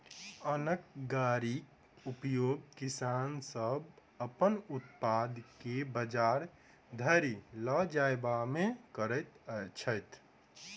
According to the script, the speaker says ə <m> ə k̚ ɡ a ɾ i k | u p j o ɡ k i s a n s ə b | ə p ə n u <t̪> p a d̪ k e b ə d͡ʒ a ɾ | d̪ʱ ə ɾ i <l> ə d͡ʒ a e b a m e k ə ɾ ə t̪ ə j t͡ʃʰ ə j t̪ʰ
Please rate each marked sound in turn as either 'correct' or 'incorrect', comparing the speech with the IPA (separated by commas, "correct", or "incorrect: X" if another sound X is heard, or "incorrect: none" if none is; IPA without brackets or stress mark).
incorrect: n, correct, correct